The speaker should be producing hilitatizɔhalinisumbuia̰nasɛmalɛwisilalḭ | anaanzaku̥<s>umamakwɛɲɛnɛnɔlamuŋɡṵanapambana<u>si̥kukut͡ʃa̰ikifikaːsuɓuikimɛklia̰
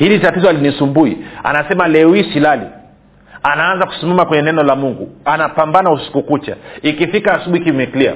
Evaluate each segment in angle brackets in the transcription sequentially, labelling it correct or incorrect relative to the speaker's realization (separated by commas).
correct, correct